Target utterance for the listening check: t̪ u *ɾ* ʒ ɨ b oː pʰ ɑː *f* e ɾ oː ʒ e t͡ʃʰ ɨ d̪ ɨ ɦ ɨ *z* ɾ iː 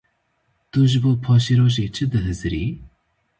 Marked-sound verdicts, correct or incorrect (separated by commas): incorrect, incorrect, correct